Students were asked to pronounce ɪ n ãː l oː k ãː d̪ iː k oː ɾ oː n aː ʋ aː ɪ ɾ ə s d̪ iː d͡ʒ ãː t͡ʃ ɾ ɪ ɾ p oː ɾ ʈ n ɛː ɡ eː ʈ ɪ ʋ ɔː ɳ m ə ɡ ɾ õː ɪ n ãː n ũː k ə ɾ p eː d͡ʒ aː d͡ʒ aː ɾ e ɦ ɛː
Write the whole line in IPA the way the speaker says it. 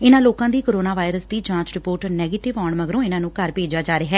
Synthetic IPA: ɪ n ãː l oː k ãː d̪ iː k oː ɾ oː n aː ʋ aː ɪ ɾ ə s d̪ iː d͡ʒ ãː t͡ʃ ɾ ɪ p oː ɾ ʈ n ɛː ɡ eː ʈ ɪ ʋ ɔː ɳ m ə ɡ ɾ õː ɪ n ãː n ũː k ə ɾ p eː d͡ʒ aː d͡ʒ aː ɾ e ɦ ɛː